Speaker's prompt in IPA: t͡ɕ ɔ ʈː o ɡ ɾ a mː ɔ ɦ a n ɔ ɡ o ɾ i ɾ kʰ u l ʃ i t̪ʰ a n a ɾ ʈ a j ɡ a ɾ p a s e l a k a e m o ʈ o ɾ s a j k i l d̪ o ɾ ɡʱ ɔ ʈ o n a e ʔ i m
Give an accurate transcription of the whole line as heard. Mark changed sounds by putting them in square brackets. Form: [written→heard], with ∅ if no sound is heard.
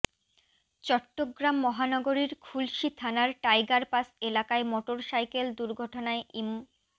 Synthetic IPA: t͡ɕ ɔ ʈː o ɡ ɾ a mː ɔ ɦ a n ɔ ɡ o ɾ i ɾ kʰ u l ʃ i t̪ʰ a n a ɾ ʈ a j ɡ a ɾ p a s e l a k a e m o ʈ o ɾ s a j k [i→e] l d̪ [o→u] ɾ ɡʱ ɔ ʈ o n a e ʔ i m

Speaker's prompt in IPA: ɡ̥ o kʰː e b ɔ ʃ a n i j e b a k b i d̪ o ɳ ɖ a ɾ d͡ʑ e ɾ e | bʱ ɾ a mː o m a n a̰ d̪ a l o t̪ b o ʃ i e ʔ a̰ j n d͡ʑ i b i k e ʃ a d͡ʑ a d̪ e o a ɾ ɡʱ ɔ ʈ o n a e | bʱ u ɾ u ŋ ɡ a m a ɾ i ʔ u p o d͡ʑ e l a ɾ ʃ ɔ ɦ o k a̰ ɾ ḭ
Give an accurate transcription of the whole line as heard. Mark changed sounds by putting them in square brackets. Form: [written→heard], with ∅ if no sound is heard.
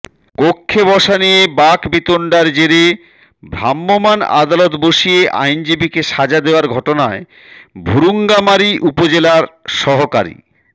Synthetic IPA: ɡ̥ o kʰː e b ɔ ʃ a n i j e b a k b i [d̪→t̪] o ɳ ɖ a ɾ d͡ʑ e ɾ e | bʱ ɾ a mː o m a n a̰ d̪ a l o t̪ b o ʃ i e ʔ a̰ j n d͡ʑ i b i k e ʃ a d͡ʑ a d̪ e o a ɾ ɡʱ ɔ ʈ o n a e | bʱ u ɾ u ŋ ɡ a m a ɾ i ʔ u p o d͡ʑ e l a ɾ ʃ ɔ ɦ o k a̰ ɾ ḭ

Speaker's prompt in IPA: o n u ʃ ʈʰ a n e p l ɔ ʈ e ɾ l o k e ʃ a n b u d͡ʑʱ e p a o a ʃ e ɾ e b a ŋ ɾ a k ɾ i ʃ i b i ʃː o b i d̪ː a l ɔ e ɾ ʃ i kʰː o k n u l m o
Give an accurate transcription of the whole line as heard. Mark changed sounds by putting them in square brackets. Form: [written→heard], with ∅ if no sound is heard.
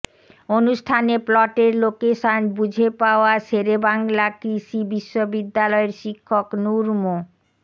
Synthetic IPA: o n u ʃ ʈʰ a n e p l ɔ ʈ e ɾ l o k e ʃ a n b u d͡ʑʱ e p a o a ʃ e ɾ e b a ŋ [ɾ→l] a k ɾ i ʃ i b i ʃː o b i d̪ː a l ɔ e ɾ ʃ i kʰː o k n u [l→ɾ] m o

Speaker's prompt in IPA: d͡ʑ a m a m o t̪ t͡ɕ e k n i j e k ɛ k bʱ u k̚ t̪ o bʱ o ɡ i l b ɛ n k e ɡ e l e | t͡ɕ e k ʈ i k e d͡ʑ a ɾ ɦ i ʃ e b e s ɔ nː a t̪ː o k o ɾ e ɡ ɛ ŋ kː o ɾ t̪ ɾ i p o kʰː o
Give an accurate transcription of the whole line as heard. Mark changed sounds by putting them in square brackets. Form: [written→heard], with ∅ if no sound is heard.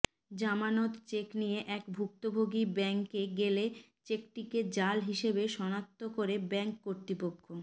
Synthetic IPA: d͡ʑ a m a [m→n] o t̪ t͡ɕ e k n i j e [k→ʔ] ɛ k bʱ u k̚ t̪ o bʱ o ɡ i [l→∅] b ɛ [n→ŋ] k e ɡ e l e | t͡ɕ e k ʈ i k e d͡ʑ a [ɾ→l] ɦ i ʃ e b e [s→ʃ] ɔ [nː→n] a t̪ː o k o ɾ e [ɡ→b] ɛ ŋ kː o ɾ t̪ ɾ i p o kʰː o

